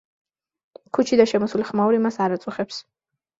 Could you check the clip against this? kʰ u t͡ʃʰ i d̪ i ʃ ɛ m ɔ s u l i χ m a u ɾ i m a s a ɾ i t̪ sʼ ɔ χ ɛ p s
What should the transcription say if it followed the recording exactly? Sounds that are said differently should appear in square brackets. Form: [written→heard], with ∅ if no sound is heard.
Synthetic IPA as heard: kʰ u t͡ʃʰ i d̪ [i→a] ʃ ɛ m ɔ s u l i χ m a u ɾ i m a s a ɾ [i→a] t̪ sʼ [ɔ→u] χ ɛ p s